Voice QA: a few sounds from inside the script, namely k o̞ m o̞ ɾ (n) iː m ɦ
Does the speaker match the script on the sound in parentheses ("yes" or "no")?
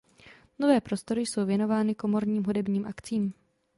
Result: no